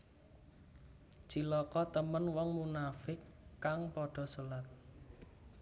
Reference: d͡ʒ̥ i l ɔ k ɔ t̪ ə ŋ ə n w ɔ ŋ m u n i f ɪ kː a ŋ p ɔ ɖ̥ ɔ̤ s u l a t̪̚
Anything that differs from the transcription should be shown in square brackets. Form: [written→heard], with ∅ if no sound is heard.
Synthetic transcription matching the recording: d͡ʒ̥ i l ɔ k ɔ t̪ ə [ŋ→m] ə n w ɔ ŋ m u n [i→a] f ɪ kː a ŋ p ɔ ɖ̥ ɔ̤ s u l a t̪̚